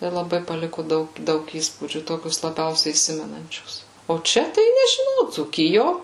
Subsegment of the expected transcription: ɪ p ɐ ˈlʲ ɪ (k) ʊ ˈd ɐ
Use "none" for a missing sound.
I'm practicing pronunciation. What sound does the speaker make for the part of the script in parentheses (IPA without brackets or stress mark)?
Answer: k